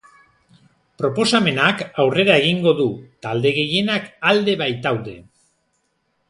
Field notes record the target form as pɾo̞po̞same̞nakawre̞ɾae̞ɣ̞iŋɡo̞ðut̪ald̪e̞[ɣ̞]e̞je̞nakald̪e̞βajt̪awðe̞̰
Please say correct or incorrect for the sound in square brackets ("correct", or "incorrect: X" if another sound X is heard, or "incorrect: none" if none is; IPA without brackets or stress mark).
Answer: correct